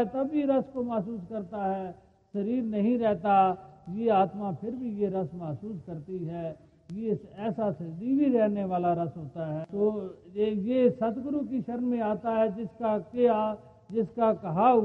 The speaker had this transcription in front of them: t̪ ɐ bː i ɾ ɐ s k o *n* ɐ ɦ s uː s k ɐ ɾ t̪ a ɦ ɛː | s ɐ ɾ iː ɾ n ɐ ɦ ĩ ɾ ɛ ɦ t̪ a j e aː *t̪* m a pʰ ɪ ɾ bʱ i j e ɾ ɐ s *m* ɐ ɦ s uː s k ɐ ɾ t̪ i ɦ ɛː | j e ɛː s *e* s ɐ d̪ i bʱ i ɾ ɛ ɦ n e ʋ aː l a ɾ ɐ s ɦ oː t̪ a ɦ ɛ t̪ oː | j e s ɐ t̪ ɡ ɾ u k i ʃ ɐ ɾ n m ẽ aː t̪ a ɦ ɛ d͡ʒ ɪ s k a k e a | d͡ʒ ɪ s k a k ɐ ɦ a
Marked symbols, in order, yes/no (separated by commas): no, yes, yes, no